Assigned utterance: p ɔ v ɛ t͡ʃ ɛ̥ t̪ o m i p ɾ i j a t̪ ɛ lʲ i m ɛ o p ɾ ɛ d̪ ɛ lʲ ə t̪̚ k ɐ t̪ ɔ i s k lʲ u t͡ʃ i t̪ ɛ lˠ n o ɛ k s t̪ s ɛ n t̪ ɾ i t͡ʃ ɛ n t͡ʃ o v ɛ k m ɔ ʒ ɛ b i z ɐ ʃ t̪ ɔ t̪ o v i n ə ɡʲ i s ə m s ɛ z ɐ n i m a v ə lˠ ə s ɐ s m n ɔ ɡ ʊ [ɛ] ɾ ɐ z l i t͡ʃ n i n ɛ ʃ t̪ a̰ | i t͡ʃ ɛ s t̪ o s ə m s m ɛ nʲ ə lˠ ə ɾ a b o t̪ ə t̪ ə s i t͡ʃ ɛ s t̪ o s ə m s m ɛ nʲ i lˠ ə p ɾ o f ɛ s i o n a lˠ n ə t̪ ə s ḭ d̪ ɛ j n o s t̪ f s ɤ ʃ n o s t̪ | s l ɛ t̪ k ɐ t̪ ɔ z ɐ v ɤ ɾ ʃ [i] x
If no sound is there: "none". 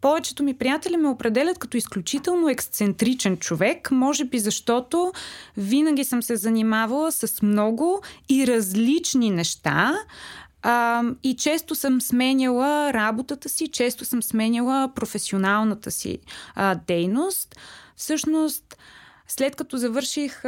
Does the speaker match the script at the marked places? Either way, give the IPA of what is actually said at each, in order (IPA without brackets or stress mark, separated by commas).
i, i